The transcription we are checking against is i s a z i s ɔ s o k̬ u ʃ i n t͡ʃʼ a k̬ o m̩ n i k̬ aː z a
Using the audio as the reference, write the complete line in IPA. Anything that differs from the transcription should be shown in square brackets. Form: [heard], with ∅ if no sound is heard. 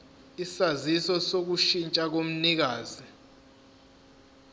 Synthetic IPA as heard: i s a z i s ɔ s o k̬ u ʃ i n t͡ʃʼ a k̬ o m̩ n i k̬ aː z [i]

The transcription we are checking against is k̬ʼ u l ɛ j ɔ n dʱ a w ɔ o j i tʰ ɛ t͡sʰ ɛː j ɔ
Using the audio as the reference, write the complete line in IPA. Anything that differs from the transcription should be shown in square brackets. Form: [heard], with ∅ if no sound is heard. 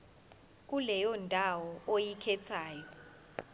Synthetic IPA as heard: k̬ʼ u l ɛ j ɔ n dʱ a w ɔ o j i [kʰ] ɛ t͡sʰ [aː] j ɔ

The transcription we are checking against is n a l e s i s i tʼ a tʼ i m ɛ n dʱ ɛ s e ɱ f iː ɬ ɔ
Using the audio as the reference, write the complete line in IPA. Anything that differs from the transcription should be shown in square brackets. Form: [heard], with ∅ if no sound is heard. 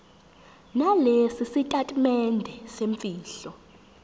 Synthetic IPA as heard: n a l e s i s i tʼ a tʼ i m ɛ n dʱ ɛ s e ɱ f iː ɬ ɔ

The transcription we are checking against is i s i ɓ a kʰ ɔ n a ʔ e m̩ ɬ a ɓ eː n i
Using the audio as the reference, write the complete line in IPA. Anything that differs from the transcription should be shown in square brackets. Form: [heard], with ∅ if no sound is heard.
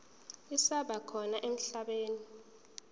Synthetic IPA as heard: i s [a] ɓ a kʰ ɔ n a ʔ e m̩ ɬ a ɓ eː n i

